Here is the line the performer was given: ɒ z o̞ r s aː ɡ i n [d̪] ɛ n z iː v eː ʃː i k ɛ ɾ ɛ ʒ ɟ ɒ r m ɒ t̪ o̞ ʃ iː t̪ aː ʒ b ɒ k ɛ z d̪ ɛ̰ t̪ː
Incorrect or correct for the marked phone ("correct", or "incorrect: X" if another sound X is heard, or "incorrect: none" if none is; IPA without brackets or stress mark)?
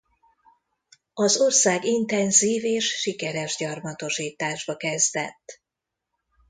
incorrect: t̪